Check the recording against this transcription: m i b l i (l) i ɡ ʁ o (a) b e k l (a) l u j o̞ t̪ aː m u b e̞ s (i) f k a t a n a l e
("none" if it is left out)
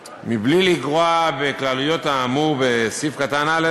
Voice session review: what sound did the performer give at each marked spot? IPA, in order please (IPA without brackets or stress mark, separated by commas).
l, a, a, i